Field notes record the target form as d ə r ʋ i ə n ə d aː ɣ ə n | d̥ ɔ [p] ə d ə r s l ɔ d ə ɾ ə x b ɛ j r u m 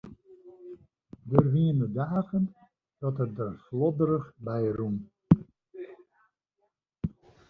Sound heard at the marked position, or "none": t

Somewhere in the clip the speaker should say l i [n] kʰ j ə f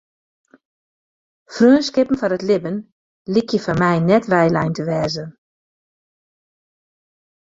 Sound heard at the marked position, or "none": none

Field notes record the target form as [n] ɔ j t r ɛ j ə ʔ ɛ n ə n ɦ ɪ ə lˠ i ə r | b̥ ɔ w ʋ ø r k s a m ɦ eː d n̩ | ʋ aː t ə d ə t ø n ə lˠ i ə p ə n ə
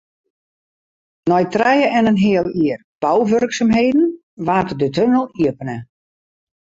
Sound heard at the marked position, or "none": n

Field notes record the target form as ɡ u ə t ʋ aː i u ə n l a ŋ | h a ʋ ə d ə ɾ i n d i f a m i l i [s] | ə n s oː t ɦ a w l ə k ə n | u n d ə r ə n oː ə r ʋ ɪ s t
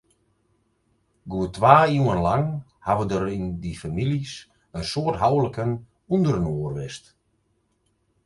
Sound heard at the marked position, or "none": s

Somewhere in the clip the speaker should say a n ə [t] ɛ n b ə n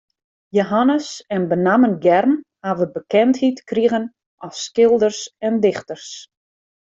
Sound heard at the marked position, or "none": s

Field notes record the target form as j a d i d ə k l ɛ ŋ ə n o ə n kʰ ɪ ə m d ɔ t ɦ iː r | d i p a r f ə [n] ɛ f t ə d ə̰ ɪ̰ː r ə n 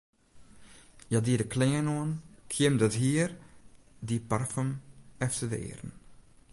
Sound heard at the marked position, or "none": m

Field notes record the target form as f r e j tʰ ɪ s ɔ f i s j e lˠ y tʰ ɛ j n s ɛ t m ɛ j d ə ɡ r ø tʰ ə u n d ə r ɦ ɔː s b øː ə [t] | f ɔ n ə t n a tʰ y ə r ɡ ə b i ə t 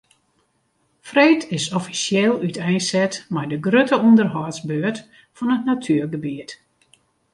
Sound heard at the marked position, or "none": t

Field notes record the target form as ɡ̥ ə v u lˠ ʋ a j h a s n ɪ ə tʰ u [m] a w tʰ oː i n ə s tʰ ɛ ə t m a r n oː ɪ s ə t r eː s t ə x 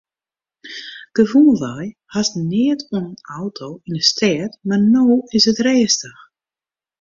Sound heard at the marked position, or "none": n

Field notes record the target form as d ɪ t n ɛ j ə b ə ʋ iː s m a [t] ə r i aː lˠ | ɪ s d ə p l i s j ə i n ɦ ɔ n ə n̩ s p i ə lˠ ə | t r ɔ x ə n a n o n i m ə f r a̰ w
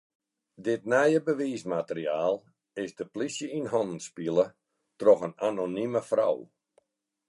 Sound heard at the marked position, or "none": t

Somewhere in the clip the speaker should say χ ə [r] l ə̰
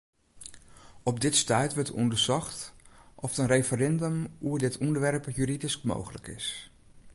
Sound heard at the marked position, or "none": none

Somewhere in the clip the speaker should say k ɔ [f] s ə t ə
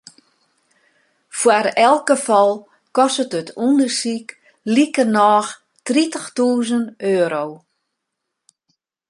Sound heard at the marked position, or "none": none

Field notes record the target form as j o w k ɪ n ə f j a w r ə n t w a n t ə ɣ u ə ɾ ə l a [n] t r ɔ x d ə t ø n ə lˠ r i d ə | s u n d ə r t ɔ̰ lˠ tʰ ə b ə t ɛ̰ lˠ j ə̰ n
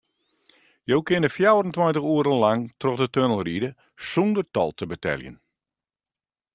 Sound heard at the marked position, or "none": ŋ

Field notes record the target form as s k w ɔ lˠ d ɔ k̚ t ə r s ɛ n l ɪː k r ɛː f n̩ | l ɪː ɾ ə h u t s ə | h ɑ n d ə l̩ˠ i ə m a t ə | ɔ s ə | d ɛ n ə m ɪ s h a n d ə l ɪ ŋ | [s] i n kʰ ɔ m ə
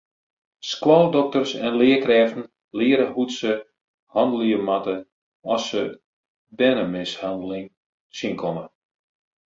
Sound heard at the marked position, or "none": s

